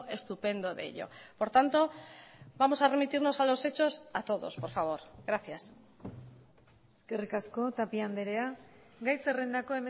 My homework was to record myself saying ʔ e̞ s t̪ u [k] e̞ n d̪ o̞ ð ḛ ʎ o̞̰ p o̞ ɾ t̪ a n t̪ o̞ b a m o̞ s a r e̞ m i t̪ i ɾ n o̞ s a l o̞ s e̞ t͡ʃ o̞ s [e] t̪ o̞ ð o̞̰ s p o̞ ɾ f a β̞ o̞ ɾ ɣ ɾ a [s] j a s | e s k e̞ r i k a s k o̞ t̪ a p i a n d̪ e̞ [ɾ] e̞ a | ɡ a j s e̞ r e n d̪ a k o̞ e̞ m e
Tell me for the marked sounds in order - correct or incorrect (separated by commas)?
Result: incorrect, incorrect, incorrect, correct